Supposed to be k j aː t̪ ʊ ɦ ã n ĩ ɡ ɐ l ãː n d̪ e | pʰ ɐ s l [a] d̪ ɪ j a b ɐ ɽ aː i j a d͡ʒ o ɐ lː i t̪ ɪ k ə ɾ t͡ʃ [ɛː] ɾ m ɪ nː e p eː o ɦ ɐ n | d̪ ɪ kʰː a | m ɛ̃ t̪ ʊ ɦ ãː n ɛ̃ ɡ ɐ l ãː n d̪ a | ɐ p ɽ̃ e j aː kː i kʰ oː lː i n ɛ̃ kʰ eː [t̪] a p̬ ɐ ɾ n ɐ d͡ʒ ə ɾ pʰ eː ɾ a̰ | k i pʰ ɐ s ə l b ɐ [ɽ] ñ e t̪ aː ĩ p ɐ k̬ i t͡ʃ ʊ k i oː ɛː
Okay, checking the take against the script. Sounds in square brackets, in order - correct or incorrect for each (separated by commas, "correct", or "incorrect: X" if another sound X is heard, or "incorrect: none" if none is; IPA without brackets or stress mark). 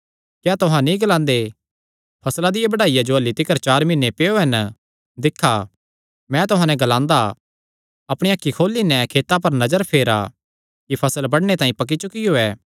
correct, incorrect: aː, correct, correct